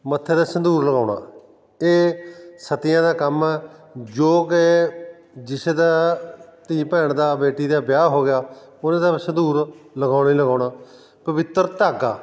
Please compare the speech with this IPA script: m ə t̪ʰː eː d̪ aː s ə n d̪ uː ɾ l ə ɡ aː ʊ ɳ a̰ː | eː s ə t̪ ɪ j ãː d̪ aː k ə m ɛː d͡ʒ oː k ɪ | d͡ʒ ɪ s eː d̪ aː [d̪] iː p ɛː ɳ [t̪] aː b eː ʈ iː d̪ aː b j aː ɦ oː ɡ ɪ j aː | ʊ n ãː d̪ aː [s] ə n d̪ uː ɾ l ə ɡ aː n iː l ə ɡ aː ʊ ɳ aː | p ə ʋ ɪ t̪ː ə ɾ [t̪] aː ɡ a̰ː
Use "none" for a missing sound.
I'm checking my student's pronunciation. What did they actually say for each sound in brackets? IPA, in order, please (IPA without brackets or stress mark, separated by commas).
t̪, d̪, s, t̪